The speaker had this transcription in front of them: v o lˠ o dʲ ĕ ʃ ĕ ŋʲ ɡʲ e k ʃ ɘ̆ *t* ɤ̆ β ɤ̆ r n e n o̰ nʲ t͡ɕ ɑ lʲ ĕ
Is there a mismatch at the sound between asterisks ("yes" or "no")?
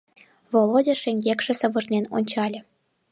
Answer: yes